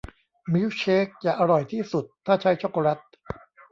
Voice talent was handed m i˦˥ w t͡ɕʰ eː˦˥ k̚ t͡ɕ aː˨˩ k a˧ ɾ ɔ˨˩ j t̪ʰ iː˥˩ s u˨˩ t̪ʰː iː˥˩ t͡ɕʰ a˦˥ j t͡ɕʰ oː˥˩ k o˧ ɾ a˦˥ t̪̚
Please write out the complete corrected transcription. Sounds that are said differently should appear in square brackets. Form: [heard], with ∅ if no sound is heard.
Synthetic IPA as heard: m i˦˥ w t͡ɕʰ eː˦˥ k̚ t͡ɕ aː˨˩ [ʔ] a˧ ɾ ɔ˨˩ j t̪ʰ iː˥˩ s u˨˩ t̪ʰː [aː˥˩] t͡ɕʰ a˦˥ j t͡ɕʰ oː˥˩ k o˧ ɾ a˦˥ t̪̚